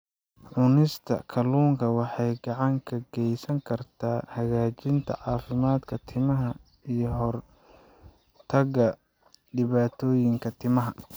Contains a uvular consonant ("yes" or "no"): no